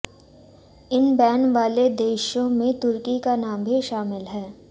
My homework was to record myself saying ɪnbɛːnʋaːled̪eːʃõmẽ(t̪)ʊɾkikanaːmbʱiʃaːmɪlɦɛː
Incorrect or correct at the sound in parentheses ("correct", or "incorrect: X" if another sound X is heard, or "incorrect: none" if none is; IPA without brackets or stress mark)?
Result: correct